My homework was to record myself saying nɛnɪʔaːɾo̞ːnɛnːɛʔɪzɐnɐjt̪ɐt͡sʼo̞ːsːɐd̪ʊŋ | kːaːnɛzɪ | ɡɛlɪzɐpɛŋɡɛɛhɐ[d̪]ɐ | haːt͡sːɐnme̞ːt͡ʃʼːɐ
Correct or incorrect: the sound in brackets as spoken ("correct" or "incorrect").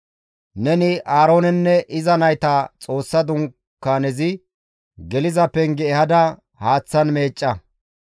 correct